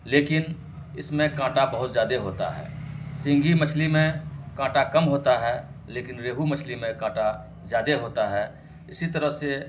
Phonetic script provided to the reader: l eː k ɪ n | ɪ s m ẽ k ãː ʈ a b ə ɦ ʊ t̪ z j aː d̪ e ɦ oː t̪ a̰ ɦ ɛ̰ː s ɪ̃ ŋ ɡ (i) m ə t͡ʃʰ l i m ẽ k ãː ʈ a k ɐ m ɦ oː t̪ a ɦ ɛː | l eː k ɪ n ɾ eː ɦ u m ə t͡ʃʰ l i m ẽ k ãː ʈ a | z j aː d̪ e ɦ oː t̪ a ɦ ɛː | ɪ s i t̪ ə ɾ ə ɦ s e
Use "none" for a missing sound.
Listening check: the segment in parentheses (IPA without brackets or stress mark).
i